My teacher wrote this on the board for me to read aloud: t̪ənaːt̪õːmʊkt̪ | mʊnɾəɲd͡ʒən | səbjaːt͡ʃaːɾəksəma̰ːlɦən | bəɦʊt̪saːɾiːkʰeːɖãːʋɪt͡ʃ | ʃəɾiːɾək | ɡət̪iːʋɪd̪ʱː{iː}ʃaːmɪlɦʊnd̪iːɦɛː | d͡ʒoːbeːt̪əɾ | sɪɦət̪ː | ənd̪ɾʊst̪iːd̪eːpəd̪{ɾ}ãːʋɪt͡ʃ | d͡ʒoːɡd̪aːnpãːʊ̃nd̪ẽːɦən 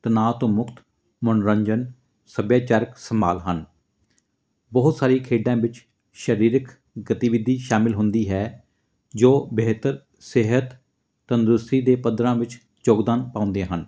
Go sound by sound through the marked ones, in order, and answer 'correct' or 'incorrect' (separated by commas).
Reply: correct, correct